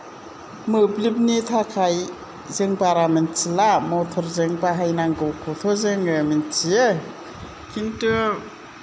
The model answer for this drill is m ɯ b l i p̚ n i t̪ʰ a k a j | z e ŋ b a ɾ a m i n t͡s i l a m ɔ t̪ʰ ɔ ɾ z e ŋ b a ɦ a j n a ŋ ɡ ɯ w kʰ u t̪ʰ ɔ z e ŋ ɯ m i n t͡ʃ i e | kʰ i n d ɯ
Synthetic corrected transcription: m ɯ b l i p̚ n i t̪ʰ a kʰ a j | z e ŋ b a ɾ a m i n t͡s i l a m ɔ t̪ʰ ɔ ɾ z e ŋ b a ɦ a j n a ŋ ɡ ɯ w kʰ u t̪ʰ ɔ z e ŋ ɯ m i n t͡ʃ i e | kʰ i n t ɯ